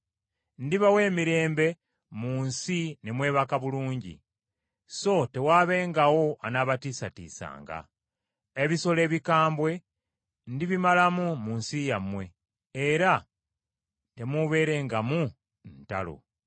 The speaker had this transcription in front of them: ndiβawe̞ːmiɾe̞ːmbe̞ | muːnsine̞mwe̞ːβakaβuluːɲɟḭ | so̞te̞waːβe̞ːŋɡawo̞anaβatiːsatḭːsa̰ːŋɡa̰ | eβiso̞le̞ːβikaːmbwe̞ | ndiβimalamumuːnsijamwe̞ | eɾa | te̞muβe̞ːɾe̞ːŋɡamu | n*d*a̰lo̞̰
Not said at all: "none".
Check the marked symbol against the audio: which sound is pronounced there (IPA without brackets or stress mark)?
t